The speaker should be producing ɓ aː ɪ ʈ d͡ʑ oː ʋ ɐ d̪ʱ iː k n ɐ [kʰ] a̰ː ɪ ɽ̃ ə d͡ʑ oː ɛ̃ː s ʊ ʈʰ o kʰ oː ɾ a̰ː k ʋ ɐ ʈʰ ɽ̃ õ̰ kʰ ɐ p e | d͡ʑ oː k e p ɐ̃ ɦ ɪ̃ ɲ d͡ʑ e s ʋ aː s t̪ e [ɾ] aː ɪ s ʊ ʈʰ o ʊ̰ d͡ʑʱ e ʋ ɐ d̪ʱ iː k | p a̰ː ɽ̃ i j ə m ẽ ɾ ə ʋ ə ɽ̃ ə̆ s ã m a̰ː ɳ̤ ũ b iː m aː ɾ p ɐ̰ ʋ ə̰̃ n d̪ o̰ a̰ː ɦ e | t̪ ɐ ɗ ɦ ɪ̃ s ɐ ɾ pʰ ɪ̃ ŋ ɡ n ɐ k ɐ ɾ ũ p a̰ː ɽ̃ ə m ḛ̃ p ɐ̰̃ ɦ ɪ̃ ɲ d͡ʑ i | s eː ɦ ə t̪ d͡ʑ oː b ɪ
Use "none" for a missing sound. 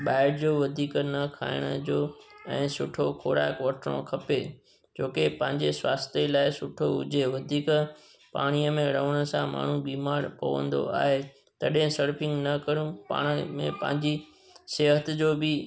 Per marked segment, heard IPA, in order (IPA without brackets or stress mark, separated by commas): kʰ, l